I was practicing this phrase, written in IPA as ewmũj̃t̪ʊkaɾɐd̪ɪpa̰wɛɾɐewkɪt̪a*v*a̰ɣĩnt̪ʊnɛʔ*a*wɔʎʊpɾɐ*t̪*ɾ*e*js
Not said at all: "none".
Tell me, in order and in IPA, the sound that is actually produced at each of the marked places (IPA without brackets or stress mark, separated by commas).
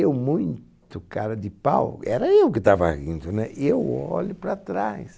v, e, t̪, a